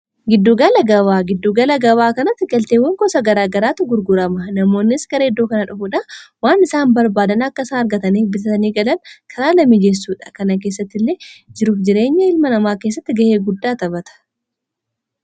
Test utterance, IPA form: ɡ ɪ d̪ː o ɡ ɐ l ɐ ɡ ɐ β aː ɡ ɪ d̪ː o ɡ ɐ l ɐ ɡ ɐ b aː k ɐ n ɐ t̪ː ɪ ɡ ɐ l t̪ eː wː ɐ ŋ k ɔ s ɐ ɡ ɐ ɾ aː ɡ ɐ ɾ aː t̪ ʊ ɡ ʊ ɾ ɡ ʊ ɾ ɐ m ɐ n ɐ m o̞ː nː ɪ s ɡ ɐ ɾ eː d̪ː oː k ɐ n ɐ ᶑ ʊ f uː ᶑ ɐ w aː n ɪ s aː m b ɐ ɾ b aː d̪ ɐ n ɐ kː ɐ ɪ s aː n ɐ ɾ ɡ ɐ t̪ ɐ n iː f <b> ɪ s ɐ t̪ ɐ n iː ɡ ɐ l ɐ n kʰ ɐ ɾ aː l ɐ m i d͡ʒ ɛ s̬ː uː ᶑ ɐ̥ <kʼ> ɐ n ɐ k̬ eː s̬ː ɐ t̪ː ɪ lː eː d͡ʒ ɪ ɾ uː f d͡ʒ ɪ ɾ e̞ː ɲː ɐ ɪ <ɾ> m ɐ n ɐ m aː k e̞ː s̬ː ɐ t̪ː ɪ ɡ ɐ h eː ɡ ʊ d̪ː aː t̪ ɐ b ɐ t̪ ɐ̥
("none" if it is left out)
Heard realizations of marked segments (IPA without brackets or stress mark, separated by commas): b, k, l